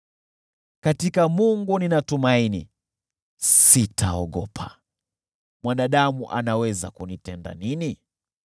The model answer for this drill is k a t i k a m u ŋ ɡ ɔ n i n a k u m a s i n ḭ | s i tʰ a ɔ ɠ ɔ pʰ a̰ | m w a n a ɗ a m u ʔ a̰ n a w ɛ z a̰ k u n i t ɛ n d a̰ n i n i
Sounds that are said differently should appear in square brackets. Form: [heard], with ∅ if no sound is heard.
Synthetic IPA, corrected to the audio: k a t i k a m u ŋ ɡ [u] n i n a [t] u m a [∅] i n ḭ | s i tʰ a ɔ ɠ ɔ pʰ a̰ | m w a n a ɗ a m u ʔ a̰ n a w ɛ z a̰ k u n i t ɛ n d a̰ n i n i